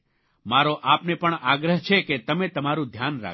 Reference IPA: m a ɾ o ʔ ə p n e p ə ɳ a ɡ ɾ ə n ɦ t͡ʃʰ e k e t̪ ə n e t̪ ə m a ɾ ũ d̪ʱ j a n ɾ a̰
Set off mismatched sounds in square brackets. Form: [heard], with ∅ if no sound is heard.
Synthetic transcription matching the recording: m a ɾ o ʔ [a] p n e p ə ɳ a ɡ ɾ ə [∅] ɦ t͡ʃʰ e k e t̪ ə [m] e t̪ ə m a ɾ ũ d̪ʱ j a n ɾ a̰